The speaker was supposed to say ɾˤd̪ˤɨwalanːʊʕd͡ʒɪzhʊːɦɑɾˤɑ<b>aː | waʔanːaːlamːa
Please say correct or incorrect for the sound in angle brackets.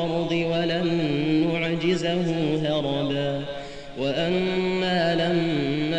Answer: correct